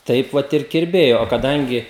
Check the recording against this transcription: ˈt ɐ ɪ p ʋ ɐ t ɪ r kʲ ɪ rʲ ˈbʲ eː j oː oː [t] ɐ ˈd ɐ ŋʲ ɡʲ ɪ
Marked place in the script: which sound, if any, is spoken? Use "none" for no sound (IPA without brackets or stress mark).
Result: k